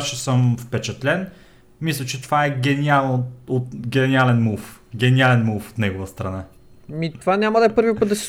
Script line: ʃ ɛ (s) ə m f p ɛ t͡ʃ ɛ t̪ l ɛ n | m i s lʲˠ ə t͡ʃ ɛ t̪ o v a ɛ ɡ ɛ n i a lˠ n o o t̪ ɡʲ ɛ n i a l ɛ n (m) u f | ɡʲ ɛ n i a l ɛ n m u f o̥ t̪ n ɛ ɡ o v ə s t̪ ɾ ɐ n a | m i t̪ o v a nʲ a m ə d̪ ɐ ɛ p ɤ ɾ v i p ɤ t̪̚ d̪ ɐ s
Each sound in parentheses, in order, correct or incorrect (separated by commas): correct, correct